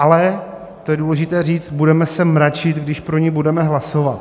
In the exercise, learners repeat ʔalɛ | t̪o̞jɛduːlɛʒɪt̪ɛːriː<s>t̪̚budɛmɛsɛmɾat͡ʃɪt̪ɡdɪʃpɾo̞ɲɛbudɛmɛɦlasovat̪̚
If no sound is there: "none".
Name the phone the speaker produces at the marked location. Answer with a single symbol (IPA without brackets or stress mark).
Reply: t͡s